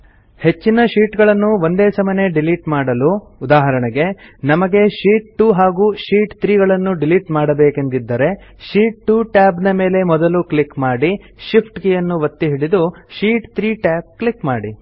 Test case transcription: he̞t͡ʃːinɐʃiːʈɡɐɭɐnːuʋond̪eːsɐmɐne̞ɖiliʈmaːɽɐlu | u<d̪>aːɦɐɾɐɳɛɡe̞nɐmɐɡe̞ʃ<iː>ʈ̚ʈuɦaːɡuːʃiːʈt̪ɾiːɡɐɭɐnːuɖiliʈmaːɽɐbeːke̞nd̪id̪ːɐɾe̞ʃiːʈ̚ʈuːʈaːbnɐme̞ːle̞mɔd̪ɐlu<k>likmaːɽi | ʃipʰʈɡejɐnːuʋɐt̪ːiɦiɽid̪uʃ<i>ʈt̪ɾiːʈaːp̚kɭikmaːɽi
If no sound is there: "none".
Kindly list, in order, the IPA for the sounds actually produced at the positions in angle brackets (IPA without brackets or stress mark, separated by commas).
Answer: d̪, iː, k, iː